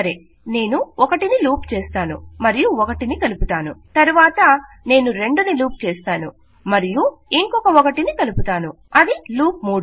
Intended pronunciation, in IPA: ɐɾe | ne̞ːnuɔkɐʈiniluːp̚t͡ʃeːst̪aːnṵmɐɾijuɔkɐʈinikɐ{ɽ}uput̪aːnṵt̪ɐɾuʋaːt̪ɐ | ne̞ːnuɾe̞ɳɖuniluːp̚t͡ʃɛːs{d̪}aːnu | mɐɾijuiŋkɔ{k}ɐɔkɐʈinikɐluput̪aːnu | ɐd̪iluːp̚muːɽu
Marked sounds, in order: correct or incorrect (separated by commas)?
incorrect, incorrect, correct